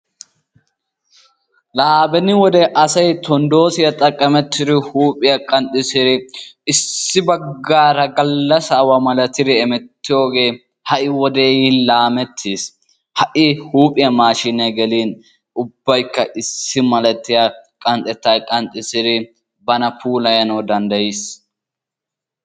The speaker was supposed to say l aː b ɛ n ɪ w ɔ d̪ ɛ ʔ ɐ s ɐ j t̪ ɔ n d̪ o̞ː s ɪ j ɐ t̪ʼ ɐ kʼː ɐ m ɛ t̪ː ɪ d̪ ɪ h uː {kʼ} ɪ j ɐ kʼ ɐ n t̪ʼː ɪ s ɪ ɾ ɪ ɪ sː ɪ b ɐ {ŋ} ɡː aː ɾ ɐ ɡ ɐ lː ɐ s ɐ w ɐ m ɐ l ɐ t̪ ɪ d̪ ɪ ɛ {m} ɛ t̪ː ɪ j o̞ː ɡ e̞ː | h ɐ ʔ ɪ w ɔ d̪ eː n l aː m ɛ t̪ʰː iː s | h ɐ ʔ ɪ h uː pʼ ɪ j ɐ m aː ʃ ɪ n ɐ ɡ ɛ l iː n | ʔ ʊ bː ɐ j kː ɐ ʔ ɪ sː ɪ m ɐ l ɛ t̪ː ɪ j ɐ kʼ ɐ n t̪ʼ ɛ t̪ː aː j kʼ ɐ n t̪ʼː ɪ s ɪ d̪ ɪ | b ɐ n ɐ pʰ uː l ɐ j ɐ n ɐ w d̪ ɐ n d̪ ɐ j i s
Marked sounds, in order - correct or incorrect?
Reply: incorrect: pʼ, incorrect: ɡ, correct

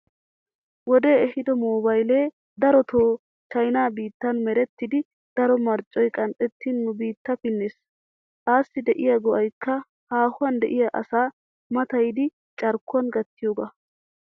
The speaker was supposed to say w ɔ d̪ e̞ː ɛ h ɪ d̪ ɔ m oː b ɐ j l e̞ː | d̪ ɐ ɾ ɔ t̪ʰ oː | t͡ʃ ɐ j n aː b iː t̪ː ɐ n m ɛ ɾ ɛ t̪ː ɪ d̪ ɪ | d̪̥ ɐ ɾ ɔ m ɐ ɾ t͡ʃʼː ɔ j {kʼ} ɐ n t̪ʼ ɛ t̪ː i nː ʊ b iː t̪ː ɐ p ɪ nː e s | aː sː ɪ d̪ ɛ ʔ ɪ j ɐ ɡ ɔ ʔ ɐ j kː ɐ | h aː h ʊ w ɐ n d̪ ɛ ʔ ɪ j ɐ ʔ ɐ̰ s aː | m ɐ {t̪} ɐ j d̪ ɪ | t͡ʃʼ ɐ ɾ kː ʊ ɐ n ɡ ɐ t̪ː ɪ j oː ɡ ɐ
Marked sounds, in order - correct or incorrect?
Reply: correct, correct

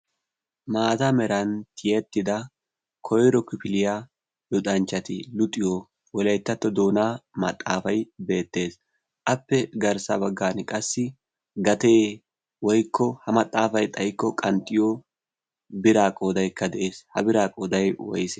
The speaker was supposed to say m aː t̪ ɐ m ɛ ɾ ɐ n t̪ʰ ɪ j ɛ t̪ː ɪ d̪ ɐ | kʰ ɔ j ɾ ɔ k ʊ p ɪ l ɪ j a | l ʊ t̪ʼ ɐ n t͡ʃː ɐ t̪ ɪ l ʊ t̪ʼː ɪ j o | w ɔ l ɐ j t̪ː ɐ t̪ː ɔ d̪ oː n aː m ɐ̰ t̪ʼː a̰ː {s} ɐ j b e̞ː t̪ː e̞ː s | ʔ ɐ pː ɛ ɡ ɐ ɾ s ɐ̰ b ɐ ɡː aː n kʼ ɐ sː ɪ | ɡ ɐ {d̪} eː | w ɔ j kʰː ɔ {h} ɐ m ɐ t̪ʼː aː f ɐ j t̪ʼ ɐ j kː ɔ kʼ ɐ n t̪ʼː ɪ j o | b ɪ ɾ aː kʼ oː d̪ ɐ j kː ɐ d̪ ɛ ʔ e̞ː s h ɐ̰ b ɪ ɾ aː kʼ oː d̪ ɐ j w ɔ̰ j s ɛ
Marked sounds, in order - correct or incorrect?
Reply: incorrect: f, incorrect: t̪, correct

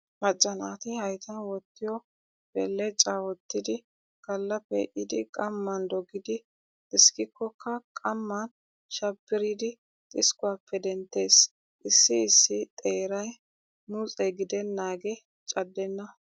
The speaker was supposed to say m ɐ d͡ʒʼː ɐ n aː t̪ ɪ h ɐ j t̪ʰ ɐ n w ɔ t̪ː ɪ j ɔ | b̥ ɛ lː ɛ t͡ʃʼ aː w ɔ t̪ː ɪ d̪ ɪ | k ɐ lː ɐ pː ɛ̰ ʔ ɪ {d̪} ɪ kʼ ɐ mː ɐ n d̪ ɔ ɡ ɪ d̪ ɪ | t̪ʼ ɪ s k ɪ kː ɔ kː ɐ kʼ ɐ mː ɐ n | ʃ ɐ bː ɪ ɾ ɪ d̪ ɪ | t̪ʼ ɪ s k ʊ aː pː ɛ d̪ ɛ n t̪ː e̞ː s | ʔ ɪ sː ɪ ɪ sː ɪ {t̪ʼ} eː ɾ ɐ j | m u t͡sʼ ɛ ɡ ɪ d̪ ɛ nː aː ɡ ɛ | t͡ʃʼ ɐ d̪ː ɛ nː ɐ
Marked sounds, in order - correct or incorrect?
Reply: correct, correct

